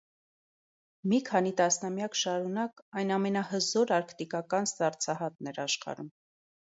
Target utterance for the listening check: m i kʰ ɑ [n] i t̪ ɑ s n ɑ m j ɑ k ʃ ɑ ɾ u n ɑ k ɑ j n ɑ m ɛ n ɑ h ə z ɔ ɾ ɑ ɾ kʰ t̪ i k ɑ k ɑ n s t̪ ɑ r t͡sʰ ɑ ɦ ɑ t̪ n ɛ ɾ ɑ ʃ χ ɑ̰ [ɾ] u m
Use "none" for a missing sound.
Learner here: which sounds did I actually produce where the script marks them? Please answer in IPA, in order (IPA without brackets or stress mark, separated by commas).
n, ɾ